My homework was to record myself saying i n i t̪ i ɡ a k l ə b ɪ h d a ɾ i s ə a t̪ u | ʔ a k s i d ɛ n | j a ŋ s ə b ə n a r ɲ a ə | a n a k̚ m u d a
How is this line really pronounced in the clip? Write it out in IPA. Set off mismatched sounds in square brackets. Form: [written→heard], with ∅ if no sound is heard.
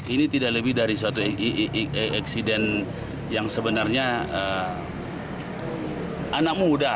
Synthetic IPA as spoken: i n i t̪ i [ɡ→d] a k l ə b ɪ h d a ɾ i s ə a t̪ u | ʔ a k s i d ɛ n | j a ŋ s ə b ə n a r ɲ a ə | a n a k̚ m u d a